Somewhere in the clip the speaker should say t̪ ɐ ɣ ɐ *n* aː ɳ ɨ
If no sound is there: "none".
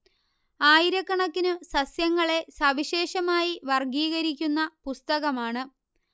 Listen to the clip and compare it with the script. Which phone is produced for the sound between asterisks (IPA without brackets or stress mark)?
m